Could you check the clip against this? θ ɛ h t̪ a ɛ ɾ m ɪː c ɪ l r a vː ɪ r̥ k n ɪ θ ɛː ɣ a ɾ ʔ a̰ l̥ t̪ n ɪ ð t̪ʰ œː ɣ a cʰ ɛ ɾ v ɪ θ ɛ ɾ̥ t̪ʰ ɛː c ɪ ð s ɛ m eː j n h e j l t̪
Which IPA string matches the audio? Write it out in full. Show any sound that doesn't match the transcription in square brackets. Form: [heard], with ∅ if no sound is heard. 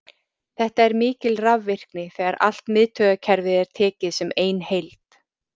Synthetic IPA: θ ɛ h t̪ a ɛ ɾ m ɪː c ɪ l r a vː ɪ r̥ k n ɪ θ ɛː ɣ a ɾ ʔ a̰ l̥ t̪ [m] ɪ ð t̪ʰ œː ɣ a cʰ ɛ ɾ v ɪ [ð] ɛ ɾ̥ t̪ʰ ɛː c ɪ ð s ɛ m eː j n h e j l t̪

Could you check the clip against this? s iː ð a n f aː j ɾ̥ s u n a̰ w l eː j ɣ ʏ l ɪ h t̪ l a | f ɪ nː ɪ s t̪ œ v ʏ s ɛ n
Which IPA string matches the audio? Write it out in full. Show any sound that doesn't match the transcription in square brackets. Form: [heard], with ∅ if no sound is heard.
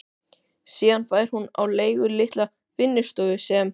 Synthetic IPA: s iː ð a n f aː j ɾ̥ [h] u n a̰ w l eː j ɣ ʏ l ɪ h t̪ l a | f ɪ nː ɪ s t̪ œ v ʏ s ɛ [m]

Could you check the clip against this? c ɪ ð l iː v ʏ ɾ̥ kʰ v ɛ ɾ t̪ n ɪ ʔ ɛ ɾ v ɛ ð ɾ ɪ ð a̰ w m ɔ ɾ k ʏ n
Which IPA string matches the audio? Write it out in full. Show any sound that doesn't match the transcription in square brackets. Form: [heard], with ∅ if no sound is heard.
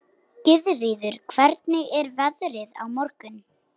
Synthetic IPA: c ɪ ð [r] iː [ð] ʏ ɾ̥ kʰ v ɛ ɾ t̪ n ɪ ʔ ɛ ɾ v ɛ ð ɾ ɪ ð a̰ w m ɔ ɾ k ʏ n

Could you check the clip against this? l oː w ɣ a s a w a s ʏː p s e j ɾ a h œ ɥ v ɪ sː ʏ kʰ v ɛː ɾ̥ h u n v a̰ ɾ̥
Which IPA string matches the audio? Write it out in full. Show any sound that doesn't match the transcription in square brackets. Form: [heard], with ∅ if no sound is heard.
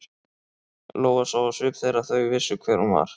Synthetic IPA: l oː w ɣ a s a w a s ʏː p [θ] e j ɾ a [θ] œ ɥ v ɪ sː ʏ kʰ v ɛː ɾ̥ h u n v a̰ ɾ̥

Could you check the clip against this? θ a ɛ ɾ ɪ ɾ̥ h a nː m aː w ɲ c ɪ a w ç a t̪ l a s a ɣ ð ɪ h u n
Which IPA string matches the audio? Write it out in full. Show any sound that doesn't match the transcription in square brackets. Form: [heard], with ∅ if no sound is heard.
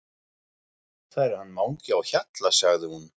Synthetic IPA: θ a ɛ ɾ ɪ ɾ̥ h a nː m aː w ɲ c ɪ a w ç a t̪ l a s a ɣ ð ɪ h u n

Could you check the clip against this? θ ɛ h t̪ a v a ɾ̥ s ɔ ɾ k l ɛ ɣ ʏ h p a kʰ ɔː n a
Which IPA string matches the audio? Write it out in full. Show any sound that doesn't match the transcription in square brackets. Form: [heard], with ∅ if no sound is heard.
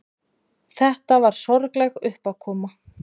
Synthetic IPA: θ ɛ h t̪ a v a ɾ̥ s ɔ ɾ k l ɛ ɣ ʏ h p a kʰ ɔː [m] a

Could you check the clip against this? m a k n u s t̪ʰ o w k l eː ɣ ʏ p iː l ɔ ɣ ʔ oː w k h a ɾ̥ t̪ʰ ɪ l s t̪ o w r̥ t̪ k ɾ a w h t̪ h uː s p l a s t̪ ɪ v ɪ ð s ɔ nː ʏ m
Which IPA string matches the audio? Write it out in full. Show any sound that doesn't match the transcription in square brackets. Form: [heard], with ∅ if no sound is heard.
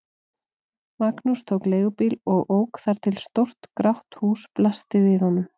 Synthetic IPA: m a k n u s t̪ʰ o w k l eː ɣ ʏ p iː l ɔ ɣ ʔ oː w k [θ] a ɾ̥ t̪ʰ ɪ l s t̪ o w r̥ t̪ k ɾ a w h t̪ h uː s p l a s t̪ ɪ v ɪ ð [h] ɔ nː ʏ m

